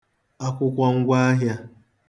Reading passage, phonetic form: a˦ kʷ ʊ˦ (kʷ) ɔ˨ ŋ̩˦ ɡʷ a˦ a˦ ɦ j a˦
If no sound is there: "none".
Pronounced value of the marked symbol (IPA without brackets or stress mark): kʷ